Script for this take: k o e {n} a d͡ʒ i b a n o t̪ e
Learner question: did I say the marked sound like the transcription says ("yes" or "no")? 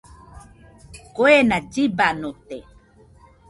yes